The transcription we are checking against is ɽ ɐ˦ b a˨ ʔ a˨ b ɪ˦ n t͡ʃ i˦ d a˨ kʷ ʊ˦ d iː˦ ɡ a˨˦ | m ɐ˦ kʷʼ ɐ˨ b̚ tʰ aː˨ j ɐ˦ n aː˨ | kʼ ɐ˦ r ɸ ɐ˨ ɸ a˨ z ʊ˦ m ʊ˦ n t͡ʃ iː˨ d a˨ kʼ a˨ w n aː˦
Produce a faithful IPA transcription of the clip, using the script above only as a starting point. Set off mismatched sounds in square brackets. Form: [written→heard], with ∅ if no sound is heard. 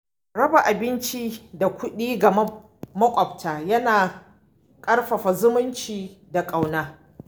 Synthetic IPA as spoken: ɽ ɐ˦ b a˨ ʔ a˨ b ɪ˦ n t͡ʃ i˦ d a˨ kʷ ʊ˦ [d→ɗ] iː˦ ɡ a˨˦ | m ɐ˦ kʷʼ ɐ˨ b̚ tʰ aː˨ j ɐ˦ n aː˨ | kʼ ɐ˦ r ɸ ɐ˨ ɸ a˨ z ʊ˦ m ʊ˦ n t͡ʃ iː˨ d a˨ kʼ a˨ w n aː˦